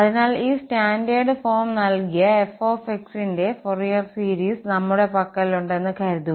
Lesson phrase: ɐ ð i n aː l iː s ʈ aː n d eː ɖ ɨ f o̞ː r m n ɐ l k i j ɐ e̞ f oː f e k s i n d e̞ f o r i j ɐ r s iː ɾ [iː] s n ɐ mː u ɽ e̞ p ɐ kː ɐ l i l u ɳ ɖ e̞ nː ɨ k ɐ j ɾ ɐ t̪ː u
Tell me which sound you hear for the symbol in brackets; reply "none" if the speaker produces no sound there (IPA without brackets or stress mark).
iː